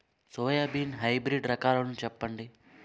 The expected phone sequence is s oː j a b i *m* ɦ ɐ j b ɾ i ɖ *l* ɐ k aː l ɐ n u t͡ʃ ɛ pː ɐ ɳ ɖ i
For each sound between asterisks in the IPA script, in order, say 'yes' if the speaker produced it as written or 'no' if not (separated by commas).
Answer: no, no